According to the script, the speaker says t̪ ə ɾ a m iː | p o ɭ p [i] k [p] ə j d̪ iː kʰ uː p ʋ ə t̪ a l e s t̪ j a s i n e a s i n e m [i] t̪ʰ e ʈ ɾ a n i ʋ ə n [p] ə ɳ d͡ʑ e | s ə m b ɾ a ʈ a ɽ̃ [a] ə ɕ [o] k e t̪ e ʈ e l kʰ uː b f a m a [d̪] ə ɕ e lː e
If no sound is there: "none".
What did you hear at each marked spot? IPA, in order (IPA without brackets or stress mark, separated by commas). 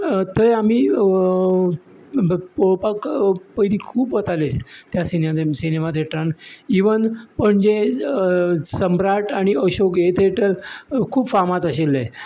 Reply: a, p, a, p, i, o, t̪